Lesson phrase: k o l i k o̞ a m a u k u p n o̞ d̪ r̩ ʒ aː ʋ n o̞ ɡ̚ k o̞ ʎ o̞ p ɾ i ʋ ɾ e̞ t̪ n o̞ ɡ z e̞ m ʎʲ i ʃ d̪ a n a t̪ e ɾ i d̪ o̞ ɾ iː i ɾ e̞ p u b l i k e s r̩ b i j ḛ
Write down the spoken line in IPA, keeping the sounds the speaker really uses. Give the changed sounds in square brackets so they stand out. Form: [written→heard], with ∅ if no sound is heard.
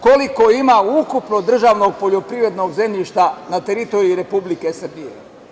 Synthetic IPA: k o l i k o̞ [a→i] m a u k u p n o̞ d̪ r̩ ʒ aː ʋ n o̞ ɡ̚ [k→p] o̞ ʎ o̞ p ɾ i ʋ ɾ e̞ [t̪→d̪] n o̞ ɡ z e̞ m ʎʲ i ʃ [d̪→t̪] a n a t̪ e ɾ i [d̪→t̪] o̞ ɾ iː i ɾ e̞ p u b l i k e s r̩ b i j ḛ